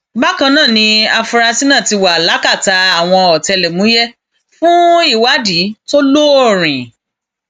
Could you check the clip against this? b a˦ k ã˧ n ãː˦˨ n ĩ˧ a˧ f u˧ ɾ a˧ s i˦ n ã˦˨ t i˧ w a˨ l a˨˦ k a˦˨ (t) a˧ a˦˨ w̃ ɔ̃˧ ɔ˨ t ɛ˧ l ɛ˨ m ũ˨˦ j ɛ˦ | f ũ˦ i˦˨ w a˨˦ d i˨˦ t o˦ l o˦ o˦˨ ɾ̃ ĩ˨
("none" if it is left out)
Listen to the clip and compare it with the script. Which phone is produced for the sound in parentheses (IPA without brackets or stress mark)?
t